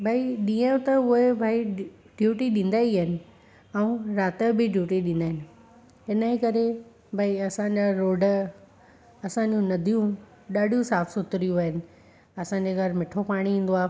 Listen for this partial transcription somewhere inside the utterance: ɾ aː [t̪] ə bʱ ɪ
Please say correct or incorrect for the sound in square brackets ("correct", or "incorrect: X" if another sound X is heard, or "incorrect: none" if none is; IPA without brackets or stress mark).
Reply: correct